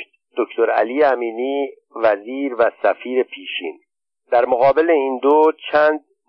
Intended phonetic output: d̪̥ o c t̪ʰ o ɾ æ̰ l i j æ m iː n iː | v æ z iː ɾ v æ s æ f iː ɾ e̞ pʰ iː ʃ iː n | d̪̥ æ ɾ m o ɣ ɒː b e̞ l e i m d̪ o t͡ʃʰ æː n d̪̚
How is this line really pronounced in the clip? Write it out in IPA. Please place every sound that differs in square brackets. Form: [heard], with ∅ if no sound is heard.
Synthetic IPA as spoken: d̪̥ o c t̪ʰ o ɾ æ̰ l i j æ m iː n iː | v æ z iː ɾ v æ s æ f iː ɾ e̞ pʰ iː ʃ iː n | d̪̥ æ ɾ m o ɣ ɒː b e̞ l e i [n] d̪ o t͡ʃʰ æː n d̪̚